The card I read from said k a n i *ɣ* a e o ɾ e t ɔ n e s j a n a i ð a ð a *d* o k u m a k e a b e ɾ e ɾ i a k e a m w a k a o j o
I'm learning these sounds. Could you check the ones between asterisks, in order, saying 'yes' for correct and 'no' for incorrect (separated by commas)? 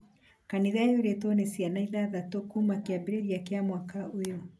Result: no, no